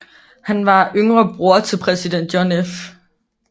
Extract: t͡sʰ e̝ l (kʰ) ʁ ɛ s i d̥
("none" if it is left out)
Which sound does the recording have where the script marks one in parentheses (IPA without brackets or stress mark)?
pʰ